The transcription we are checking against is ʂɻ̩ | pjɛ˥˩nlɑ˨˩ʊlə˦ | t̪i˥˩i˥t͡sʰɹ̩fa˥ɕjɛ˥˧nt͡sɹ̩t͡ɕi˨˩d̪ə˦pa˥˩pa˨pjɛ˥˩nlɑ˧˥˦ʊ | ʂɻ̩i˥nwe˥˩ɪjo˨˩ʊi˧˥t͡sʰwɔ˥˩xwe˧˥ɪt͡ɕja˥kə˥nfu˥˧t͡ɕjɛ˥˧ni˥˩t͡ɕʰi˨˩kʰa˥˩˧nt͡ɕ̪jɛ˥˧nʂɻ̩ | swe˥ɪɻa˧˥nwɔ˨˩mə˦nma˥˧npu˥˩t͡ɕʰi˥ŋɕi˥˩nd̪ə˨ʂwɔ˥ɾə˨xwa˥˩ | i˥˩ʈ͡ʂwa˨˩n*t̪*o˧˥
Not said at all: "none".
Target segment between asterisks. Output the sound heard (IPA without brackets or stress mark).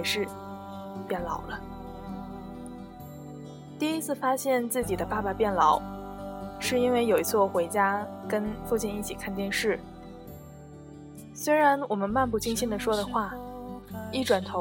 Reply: t̪ʰ